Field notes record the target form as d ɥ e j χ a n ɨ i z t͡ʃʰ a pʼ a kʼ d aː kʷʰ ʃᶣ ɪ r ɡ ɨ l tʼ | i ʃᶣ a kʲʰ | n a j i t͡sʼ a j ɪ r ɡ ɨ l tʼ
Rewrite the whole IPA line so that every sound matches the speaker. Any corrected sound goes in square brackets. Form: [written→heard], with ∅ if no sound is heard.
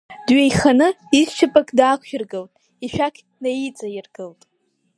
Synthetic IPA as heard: d ɥ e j χ a n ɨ i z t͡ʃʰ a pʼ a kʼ d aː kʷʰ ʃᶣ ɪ r ɡ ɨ l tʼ | i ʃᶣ a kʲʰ | n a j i t͡sʼ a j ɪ r ɡ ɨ l tʼ

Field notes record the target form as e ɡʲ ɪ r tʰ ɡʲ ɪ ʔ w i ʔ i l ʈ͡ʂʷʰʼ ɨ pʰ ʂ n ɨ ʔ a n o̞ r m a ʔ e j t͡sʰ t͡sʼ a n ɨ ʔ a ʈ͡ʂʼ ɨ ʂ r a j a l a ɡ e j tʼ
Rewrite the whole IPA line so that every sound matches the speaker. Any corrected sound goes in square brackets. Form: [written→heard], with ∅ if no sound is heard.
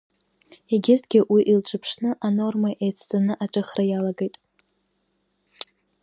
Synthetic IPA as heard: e ɡʲ ɪ r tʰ ɡʲ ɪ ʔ w i ʔ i l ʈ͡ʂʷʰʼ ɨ pʰ ʂ n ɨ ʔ a n o̞ r m a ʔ e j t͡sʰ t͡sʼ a n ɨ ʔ a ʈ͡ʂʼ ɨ [ʂ→χ] r a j a l a ɡ e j tʼ

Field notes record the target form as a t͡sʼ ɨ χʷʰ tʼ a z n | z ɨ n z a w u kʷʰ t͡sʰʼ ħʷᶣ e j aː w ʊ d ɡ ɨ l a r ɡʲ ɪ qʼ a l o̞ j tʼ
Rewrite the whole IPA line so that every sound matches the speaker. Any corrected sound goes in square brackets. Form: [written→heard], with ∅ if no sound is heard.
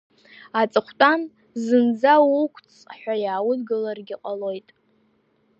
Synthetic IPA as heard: a t͡sʼ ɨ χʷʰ tʼ a [z→∅] n | z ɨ n [z→d͡z] a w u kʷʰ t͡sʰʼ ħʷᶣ [e→a] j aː w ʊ d ɡ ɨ l a r ɡʲ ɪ qʼ a l o̞ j tʼ

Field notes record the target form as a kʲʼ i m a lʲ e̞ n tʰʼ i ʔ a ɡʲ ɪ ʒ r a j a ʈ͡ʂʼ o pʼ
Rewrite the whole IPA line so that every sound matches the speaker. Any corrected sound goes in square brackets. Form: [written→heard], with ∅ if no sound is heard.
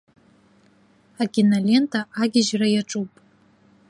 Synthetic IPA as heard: a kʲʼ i [m→n] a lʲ e̞ n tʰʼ [i→a] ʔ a ɡʲ ɪ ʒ r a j a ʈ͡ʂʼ [o→u] pʼ

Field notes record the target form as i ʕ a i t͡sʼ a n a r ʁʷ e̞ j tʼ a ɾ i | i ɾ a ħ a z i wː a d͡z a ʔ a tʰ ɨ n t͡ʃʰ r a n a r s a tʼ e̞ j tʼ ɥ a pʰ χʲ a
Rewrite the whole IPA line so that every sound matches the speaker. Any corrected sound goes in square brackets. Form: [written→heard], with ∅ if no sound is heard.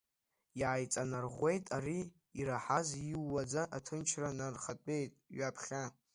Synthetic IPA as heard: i ʕ a [i→j] t͡sʼ a n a r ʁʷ e̞ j tʼ a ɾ i | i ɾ a ħ a z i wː a d͡z a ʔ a tʰ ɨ n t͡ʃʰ r a n a r [s→χ] a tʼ e̞ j tʼ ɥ a pʰ χʲ a

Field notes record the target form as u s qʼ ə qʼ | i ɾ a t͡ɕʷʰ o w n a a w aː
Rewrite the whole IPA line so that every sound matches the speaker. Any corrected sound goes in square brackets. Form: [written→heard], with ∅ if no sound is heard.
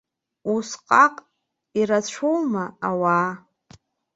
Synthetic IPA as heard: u s qʼ [ə→a] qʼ | i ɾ a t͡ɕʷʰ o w [n→m] a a w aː

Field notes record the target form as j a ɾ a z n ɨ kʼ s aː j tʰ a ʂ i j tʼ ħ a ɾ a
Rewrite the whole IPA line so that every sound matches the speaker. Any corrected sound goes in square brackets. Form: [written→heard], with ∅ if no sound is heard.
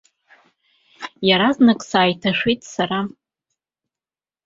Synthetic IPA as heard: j a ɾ a z n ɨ kʼ s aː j tʰ a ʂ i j tʼ [ħ→s] a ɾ a

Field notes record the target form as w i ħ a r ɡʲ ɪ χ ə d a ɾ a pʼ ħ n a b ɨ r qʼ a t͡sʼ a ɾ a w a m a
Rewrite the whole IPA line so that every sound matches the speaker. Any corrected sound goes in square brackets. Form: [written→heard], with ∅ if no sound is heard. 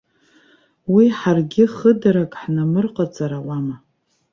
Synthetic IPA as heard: w i ħ a r ɡʲ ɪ χ ə d a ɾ a [pʼ→kʼ] ħ n a [b→m] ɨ r qʼ a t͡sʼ a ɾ a w a m a

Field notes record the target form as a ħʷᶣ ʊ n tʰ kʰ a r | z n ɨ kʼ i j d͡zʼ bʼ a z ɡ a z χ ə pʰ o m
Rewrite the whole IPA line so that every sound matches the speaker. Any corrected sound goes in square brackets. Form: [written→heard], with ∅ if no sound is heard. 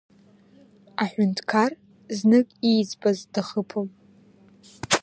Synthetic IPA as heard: a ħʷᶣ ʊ n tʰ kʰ a r | z n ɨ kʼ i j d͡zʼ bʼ a z [ɡ→d] a [z→∅] χ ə pʰ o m

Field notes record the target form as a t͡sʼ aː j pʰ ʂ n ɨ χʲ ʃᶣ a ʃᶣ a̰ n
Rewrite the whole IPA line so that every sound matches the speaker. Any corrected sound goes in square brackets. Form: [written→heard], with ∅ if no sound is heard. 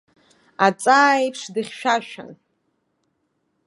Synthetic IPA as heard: a t͡sʼ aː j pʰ ʂ [n→d] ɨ χʲ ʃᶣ a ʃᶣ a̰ n

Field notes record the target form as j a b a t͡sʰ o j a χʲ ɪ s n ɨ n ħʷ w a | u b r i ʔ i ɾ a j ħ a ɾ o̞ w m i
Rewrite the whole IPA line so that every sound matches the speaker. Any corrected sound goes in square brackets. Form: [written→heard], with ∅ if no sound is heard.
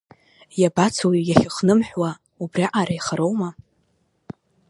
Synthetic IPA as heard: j a b a t͡sʰ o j a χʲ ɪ [s→χ] n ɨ [n→m] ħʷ w a | u b r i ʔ [i→a] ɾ a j [ħ→χ] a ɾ o̞ w m [i→a]

